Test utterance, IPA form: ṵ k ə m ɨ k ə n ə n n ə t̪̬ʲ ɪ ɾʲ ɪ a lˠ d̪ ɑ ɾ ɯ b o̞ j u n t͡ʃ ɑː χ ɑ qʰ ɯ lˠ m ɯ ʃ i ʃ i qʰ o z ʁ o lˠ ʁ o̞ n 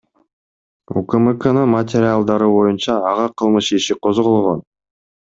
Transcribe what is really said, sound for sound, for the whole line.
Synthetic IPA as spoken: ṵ k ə m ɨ k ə n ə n m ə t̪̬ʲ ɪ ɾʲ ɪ a lˠ d̪ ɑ ɾ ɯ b o̞ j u n t͡ʃ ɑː ʁ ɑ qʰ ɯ lˠ m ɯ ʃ i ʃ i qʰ o z ʁ o lˠ ʁ o̞ n